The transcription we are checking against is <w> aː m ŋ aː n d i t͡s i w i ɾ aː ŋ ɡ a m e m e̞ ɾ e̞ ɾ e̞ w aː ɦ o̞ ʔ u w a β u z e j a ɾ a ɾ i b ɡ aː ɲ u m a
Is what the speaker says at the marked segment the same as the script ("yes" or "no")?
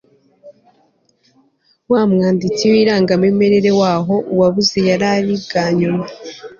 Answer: yes